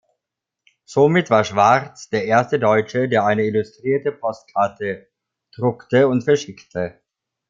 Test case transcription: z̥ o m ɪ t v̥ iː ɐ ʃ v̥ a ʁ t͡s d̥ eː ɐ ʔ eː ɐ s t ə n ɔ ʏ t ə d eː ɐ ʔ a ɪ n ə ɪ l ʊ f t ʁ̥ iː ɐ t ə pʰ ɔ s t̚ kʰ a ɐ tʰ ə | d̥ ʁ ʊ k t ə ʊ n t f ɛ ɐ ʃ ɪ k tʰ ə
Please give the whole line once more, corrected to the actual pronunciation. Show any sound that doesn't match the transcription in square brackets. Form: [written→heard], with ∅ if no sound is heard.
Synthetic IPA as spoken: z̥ o m ɪ t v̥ [iː→aː] ɐ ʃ v̥ a ʁ t͡s d̥ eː ɐ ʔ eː ɐ s t ə [n→d] ɔ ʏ [t→t͡ʃ] ə d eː ɐ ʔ a ɪ n ə ɪ l ʊ [f→s] t ʁ̥ iː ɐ t ə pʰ ɔ s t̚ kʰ a ɐ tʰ ə | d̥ ʁ ʊ k t ə ʊ n t f ɛ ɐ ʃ ɪ k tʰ ə

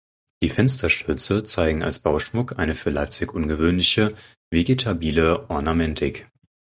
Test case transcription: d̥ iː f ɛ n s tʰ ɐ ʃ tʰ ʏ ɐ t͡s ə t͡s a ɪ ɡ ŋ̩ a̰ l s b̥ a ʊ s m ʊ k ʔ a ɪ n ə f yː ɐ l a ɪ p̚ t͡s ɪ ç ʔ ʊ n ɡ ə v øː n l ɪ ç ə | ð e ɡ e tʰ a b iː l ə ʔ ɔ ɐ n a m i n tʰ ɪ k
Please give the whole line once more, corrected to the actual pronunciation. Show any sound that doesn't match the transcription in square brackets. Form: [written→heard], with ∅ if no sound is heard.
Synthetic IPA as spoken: d̥ iː f ɛ n s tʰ ɐ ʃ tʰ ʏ ɐ t͡s ə t͡s a ɪ ɡ ŋ̩ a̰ l s b̥ a ʊ [s→ʃ] m ʊ k ʔ a ɪ n ə f yː ɐ l a ɪ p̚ t͡s ɪ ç ʔ ʊ n ɡ ə v øː n l ɪ ç ə | [ð→v] e ɡ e tʰ a b iː l ə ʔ ɔ ɐ n a m [i→ɛ] n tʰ ɪ k

